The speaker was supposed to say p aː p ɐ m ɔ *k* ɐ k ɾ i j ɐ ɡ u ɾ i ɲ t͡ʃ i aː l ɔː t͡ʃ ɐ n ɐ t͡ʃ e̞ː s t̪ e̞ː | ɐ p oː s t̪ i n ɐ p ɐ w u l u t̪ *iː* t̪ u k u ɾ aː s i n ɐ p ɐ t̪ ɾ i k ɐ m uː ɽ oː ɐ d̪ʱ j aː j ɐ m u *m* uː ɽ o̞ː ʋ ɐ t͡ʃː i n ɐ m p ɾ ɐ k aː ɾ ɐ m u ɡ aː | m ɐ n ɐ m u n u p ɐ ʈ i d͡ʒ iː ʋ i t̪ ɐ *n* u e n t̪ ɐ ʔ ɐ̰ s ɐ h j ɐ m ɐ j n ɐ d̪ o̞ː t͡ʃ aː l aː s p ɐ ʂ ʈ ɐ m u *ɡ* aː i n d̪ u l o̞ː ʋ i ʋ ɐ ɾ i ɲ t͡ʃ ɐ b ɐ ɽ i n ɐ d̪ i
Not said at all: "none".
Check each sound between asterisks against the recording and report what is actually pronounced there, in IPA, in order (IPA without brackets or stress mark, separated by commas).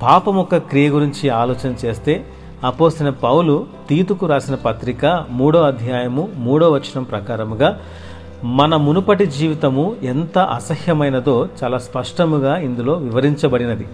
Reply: k, iː, m, m, ɡ